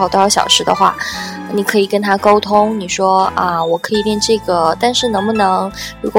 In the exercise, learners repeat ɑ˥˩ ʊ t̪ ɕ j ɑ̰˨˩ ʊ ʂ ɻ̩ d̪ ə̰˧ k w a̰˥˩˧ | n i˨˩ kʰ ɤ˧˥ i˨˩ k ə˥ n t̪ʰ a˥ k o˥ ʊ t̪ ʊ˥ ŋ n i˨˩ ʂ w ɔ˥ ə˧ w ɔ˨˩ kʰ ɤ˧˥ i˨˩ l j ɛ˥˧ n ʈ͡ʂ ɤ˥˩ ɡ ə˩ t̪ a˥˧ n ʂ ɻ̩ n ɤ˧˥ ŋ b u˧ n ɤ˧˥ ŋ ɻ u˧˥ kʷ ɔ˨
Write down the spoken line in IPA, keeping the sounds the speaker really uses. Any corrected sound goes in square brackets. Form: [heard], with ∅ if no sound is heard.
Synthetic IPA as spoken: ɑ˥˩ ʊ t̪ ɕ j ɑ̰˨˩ ʊ ʂ ɻ̩ d̪ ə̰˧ [x] w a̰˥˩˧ | n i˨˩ kʰ ɤ˧˥ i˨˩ k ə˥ n t̪ʰ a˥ k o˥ ʊ [t̪ʰ] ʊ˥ ŋ n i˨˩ ʂ w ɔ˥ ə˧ w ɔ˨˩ kʰ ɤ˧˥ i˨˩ l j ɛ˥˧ n ʈ͡ʂ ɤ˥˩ ɡ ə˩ t̪ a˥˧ n ʂ ɻ̩ n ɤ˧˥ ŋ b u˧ n ɤ˧˥ ŋ ɻ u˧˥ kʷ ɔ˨